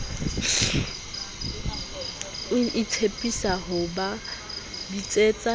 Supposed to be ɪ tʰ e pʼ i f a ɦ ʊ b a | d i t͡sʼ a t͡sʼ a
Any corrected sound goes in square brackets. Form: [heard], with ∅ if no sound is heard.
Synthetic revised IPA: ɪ tʰ e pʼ i [s] a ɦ ʊ b a | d i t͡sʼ [e] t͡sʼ a